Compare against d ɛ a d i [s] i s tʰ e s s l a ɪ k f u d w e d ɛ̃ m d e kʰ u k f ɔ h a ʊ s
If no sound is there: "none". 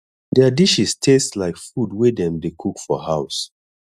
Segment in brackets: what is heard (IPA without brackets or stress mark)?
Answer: ʃ